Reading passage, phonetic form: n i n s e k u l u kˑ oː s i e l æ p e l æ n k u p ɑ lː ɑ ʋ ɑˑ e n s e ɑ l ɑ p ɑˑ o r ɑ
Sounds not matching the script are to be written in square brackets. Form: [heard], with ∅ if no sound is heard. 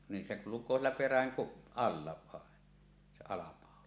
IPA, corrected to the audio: n i n s e k u l u kˑ oː s i e [lː] æ p e [r] æ [ŋ] k u p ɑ lː ɑ ʋ ɑˑ e n s e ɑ l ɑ p ɑˑ o [l] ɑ